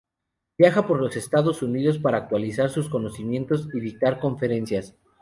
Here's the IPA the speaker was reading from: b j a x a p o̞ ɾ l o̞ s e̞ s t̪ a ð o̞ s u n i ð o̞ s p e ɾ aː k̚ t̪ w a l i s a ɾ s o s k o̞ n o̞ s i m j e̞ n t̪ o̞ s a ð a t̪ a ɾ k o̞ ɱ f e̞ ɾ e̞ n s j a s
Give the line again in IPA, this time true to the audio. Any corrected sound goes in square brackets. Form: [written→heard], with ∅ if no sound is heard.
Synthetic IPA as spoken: b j a x a p o̞ ɾ l o̞ s e̞ s t̪ a ð o̞ s u n i ð o̞ s p [e→a] ɾ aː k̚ t̪ w a l i s a ɾ s [o→u] s k o̞ n o̞ s i m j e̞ n t̪ o̞ s [a→i] ð [a→i] t̪ a ɾ k o̞ ɱ f e̞ ɾ e̞ n s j a s

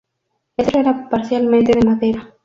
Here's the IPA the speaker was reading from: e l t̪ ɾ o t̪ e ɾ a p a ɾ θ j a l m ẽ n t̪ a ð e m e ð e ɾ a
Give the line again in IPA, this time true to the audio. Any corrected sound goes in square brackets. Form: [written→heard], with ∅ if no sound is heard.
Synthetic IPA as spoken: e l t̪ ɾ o [t̪→∅] e ɾ a p a ɾ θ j a l m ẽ n t̪ [a→e] ð e m [e→a] ð e ɾ a

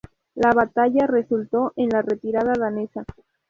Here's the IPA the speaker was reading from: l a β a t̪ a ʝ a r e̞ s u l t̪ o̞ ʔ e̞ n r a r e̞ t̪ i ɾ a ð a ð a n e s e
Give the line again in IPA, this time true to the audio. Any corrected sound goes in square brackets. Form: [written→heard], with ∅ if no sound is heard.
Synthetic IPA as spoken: l a β a t̪ a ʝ a r e̞ s u l t̪ o̞ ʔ e̞ n [r→l] a r e̞ t̪ i ɾ a ð a ð a n e s [e→a]

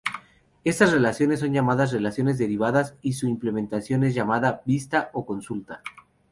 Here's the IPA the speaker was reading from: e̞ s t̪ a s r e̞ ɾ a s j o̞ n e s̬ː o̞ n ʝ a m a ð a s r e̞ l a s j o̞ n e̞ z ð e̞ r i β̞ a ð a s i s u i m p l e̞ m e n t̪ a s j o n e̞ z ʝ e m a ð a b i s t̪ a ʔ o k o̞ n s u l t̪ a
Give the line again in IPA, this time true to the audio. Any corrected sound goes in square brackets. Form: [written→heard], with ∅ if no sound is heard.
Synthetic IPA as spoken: e̞ s t̪ a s r e̞ [ɾ→l] a s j o̞ n e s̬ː o̞ n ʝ a m a ð a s r e̞ l a s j o̞ n e̞ z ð e̞ [r→ɾ] i β̞ a ð a s i s u i m p l e̞ m e n t̪ a s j o n e̞ z ʝ [e→a] m a ð a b i s t̪ a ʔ o k o̞ n s u l t̪ a

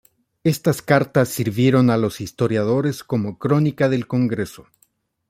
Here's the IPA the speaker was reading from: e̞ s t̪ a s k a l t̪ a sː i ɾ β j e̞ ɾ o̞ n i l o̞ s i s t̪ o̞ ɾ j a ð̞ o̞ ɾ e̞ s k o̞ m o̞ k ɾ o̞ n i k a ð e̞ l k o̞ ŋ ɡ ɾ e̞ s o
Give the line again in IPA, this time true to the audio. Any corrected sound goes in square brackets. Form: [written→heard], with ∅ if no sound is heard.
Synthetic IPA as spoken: e̞ s t̪ a s k a [l→ɾ] t̪ a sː i ɾ β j e̞ ɾ o̞ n [i→a] l o̞ s i s t̪ o̞ ɾ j a ð̞ o̞ ɾ e̞ s k o̞ m o̞ k ɾ o̞ n i k a ð e̞ l k o̞ ŋ ɡ ɾ e̞ s o

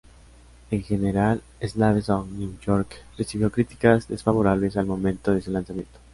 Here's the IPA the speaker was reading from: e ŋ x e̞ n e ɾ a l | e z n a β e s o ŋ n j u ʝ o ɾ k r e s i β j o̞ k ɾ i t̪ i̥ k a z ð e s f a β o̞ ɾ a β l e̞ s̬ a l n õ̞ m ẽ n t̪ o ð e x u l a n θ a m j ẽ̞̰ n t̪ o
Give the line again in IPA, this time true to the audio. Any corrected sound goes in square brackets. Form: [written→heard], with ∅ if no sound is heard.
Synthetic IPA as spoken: e ŋ x e̞ n e ɾ a l | e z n a β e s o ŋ n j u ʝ o ɾ k r e s i β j o̞ k ɾ i t̪ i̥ k a z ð e s f a β o̞ ɾ a β l e̞ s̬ a l [n→m] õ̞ m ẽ n t̪ o ð e [x→s] u l a n [θ→s] a m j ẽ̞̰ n t̪ o

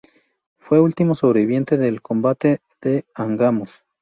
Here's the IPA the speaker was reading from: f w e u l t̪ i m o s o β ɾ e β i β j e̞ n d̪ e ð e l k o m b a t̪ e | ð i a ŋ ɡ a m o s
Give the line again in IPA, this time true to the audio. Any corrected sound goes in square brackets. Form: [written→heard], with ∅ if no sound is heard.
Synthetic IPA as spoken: f w e u l t̪ i m o s o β ɾ e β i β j e̞ n [d̪→t̪] e ð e l k o m b a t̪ e | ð [i→e] a ŋ ɡ a m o s

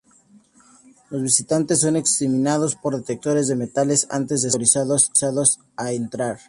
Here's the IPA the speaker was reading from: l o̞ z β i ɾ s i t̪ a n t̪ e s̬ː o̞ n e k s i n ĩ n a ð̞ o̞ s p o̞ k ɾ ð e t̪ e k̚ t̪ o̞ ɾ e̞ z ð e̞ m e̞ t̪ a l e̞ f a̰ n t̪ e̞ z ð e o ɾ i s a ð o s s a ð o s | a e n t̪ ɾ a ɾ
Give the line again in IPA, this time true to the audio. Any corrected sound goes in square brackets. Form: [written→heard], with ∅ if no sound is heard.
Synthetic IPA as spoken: l o̞ z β i [ɾ→∅] s i t̪ a n t̪ e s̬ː o̞ n e k s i [n→m] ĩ n a ð̞ o̞ s p o̞ [k→∅] ɾ ð e t̪ e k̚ t̪ o̞ ɾ e̞ z ð e̞ m e̞ t̪ a l e̞ [f→s] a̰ n t̪ e̞ z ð e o ɾ i s a ð o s s a ð o s | a e n t̪ ɾ a ɾ

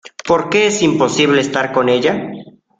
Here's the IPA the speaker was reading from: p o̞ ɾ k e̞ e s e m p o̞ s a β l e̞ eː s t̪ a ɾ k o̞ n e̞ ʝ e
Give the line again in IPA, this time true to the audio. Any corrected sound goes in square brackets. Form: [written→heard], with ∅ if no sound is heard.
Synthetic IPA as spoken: p o̞ ɾ k e̞ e s [e→i] m p o̞ s [a→i] β l e̞ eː s t̪ a ɾ k o̞ n e̞ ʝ [e→a]

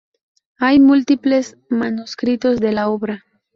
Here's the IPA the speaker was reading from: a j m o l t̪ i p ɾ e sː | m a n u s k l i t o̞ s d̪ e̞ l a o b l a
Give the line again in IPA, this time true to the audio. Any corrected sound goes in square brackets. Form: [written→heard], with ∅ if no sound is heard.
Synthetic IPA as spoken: a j m [o→u] l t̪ i p [ɾ→l] e [sː→s] | m a n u s k [l→ɾ] i t o̞ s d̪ e̞ l a o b [l→ɾ] a

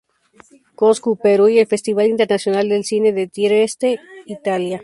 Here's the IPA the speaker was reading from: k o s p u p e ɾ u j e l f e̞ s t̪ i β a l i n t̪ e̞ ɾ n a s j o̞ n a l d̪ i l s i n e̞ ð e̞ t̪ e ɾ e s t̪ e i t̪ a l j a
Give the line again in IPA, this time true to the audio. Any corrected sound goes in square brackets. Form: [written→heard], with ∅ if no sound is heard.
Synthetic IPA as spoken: k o s [p→k] u p e ɾ u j e l f e̞ s t̪ i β a l i n t̪ e̞ ɾ n a s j o̞ n a l d̪ [i→e] l s i n e̞ ð e̞ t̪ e ɾ e s t̪ e i t̪ a l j a

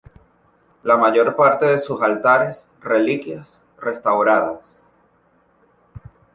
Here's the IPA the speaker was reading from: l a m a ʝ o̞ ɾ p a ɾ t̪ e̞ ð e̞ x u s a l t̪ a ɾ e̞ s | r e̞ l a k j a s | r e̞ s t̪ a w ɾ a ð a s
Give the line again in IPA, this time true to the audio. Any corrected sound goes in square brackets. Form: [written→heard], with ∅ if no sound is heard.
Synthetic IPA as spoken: l a m a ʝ o̞ ɾ p a ɾ t̪ e̞ ð e̞ [x→s] u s a l t̪ a ɾ e̞ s | r e̞ l [a→i] k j a s | r e̞ s t̪ a w ɾ a ð a s

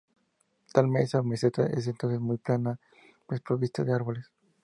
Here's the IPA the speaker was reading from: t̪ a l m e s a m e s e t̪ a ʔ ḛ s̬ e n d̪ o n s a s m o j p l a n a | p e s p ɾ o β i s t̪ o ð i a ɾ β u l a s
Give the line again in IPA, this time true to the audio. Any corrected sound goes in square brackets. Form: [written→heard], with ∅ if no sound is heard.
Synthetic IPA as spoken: t̪ a l m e s a m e s e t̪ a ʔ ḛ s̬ e n [d̪→t̪] o n s [a→e] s m [o→u] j p l a n a | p e s p ɾ o β i s t̪ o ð [i→e] a ɾ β [u→o] l [a→e] s

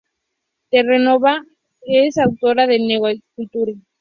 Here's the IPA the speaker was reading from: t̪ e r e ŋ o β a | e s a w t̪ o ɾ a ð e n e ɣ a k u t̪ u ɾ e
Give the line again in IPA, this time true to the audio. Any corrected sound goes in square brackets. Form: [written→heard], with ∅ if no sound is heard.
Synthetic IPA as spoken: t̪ e r e [ŋ→n] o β a | e s a w t̪ o ɾ a ð e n e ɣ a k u t̪ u ɾ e

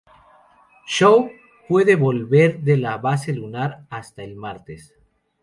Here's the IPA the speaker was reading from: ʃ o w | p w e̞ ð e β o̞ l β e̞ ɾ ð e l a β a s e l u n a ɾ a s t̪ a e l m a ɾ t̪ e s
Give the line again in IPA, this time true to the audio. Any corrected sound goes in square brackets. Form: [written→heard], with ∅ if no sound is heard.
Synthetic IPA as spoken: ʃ o w | p w e̞ ð e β o̞ l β e̞ ɾ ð e l a β a s e l u n a ɾ a s t̪ a e l m a ɾ t̪ e s

